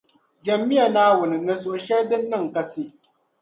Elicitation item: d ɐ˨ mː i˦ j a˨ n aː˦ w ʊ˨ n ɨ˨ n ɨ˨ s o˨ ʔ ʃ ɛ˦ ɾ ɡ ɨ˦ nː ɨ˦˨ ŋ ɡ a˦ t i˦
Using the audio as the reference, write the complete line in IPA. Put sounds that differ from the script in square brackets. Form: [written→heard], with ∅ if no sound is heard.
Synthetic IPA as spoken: [d→d͡ʒ] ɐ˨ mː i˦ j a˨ n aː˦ w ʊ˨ n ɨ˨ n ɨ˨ s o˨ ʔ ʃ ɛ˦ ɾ [ɡ→d] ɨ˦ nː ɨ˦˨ ŋ [ɡ→k] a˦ [t→s] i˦